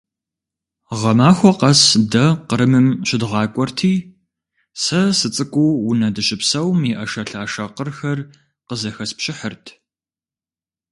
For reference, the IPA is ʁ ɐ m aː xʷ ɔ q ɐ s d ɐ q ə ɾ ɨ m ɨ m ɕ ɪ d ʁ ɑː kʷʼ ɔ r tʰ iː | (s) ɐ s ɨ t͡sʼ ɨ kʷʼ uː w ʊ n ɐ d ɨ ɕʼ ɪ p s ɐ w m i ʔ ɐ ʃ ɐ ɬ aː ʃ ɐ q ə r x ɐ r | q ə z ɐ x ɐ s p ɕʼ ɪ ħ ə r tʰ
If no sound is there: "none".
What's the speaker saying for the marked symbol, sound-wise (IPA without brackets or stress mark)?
s